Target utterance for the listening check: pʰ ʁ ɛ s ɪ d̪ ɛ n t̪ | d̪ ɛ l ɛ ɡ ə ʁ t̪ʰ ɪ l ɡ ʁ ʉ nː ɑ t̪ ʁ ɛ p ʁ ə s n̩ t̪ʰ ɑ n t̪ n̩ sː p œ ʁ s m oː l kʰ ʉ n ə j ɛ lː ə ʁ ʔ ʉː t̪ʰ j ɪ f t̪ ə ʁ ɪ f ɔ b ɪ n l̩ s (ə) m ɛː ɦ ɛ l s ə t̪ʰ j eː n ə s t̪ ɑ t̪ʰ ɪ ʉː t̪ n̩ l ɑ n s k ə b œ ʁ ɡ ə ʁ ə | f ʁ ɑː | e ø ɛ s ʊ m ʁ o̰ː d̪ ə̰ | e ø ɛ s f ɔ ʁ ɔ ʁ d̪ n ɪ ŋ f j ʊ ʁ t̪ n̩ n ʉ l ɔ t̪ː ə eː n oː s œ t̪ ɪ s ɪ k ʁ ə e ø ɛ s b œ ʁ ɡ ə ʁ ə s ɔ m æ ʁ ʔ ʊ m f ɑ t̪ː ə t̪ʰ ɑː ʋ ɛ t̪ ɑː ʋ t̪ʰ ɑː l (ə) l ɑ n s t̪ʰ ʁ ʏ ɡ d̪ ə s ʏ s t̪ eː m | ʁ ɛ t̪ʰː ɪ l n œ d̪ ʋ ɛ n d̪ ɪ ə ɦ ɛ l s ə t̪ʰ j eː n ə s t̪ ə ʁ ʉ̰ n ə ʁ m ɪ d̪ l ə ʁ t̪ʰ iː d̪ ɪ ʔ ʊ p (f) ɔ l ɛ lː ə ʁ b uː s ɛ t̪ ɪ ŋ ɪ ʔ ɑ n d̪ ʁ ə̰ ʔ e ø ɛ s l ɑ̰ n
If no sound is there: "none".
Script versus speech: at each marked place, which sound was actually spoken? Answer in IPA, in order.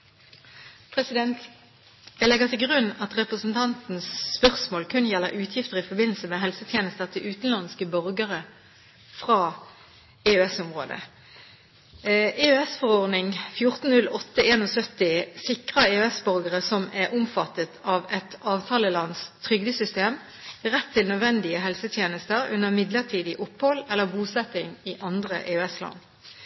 ə, ə, h

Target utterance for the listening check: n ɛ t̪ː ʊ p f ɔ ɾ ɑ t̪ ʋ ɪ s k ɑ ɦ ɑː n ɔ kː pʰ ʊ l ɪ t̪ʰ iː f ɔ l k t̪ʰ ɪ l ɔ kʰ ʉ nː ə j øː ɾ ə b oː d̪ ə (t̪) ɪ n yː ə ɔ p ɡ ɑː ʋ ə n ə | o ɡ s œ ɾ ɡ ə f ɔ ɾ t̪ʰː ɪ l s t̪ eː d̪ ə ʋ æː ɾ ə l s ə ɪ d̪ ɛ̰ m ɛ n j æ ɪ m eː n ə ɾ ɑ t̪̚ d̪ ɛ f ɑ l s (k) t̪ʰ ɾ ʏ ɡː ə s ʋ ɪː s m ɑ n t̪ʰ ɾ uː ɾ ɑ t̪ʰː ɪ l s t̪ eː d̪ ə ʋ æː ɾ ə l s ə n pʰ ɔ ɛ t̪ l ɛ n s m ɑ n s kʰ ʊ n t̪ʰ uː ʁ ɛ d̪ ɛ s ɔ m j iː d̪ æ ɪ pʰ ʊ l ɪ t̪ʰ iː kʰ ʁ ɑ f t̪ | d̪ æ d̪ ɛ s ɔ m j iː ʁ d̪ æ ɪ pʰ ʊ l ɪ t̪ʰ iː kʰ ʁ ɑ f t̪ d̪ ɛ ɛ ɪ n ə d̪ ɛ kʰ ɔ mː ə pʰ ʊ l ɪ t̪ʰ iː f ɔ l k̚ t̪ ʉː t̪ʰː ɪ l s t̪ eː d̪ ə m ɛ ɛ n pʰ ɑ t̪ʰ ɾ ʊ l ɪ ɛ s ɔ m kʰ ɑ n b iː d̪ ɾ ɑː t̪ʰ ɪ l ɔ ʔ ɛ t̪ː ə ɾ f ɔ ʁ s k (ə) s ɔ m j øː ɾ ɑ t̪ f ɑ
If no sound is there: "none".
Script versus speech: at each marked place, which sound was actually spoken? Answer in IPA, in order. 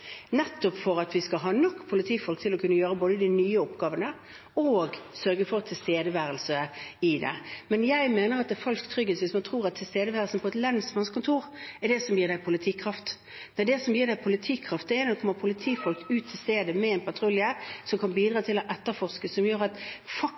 d̪, k, ə

